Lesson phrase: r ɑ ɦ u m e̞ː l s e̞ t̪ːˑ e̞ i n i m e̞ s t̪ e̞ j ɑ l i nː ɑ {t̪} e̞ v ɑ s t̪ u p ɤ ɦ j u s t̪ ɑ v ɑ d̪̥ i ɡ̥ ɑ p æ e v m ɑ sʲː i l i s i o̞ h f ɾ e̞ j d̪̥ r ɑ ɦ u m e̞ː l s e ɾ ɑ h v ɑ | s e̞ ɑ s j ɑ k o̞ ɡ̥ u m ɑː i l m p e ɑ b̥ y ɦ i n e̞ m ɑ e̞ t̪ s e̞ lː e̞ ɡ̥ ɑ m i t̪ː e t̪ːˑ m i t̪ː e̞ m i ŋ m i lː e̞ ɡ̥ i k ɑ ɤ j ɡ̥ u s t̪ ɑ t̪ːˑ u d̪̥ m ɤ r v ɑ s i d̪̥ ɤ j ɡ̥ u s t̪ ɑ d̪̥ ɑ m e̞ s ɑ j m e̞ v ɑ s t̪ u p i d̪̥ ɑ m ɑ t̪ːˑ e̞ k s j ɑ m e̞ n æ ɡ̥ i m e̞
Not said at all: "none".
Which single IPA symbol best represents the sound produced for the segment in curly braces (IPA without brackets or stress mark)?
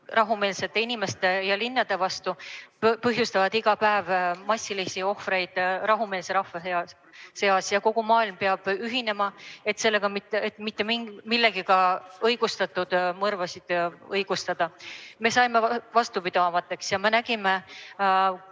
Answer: d̪